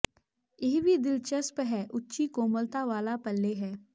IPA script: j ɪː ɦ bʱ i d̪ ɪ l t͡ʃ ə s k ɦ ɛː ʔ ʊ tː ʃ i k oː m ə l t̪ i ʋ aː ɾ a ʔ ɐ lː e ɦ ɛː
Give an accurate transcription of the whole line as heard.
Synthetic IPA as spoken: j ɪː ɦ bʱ i d̪ ɪ l t͡ʃ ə s p ɦ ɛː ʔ ʊ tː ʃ i k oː m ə l t̪ a ʋ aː l a p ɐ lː e ɦ ɛː